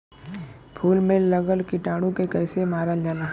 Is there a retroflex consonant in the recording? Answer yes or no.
yes